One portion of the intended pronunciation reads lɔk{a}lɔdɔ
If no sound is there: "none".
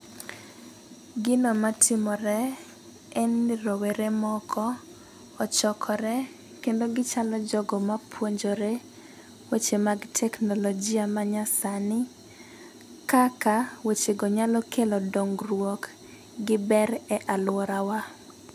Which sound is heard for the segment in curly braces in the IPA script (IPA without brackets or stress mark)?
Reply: e